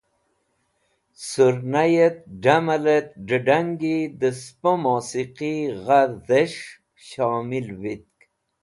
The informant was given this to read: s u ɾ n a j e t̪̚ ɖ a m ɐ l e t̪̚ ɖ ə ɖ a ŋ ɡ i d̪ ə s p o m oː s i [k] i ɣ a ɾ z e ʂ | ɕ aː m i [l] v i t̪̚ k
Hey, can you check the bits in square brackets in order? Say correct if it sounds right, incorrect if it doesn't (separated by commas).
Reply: incorrect, correct